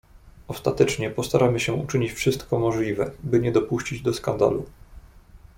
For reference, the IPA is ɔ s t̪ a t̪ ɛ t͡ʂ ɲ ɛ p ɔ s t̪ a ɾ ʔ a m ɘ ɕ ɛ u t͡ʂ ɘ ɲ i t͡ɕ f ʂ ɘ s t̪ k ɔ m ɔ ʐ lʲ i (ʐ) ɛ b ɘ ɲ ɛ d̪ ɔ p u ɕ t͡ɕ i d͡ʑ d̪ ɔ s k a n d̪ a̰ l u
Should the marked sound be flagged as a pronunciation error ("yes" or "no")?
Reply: yes